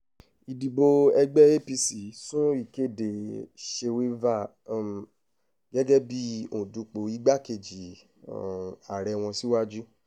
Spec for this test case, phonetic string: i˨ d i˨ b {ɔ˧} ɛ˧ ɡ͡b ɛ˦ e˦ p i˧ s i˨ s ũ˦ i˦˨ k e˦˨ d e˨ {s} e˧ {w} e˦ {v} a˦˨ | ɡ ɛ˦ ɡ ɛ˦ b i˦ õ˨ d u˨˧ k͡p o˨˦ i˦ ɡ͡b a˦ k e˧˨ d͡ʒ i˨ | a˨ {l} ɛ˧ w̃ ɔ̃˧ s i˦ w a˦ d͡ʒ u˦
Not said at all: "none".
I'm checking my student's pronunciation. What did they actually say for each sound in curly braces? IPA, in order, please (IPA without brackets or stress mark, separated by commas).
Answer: o˧, ʃ, w, v, ɾ